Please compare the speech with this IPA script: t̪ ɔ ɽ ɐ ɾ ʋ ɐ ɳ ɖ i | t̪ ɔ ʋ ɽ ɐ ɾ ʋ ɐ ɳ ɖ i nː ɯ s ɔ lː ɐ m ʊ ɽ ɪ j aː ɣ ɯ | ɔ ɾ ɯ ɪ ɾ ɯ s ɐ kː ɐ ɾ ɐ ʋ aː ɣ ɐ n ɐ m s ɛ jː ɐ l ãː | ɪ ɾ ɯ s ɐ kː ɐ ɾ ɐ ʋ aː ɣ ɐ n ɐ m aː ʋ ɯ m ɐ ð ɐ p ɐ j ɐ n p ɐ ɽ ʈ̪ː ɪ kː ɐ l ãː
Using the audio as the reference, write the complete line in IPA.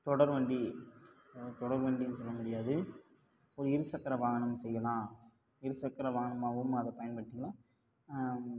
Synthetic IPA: t̪ ɔ ɽ ɐ ɾ ʋ ɐ ɳ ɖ i | t̪ ɔ ɽ ɐ ɾ ʋ ɐ ɳ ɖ i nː ɯ s ɔ lː ɐ m ʊ ɽ ɪ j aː ð ɯ | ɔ ɾ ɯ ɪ ɾ ɯ s ɐ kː ɐ ɾ ɐ ʋ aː ɣ ɐ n ɐ m s ɛ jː ɐ l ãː | ɪ ɾ ɯ s ɐ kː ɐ ɾ ɐ ʋ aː ɣ ɐ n ɐ m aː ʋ ɯ m ɐ ð ɐ p ɐ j ɐ n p ɐ ɽ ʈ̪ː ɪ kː ɐ l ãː